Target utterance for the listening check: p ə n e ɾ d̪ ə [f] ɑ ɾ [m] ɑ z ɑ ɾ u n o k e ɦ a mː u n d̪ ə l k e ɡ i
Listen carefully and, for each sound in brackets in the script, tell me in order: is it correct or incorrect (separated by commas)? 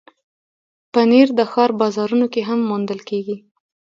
incorrect, incorrect